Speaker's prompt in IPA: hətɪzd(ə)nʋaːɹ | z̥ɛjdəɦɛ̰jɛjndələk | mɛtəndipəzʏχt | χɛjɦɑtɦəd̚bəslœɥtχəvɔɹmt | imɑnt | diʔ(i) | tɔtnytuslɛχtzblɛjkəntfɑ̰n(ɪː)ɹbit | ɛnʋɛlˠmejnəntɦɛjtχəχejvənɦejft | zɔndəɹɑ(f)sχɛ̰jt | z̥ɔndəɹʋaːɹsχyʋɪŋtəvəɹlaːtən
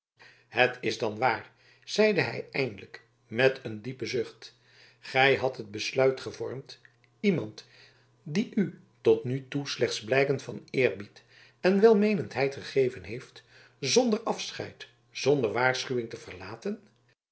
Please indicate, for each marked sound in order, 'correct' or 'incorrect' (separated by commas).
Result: incorrect, incorrect, correct, correct